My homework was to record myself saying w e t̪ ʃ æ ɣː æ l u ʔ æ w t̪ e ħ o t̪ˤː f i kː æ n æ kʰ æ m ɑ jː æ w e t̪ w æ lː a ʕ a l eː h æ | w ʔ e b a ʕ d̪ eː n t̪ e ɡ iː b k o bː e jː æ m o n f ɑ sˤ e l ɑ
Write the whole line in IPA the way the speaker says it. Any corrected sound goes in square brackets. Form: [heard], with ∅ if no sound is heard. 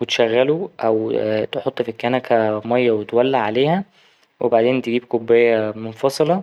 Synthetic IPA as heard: w e t̪ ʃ æ ɣː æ l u ʔ æ w t̪ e ħ o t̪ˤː f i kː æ n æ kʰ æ m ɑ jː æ w e t̪ w æ lː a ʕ a l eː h æ | w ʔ e b a ʕ d̪ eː n t̪ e ɡ iː b k o bː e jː æ m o n f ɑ sˤ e l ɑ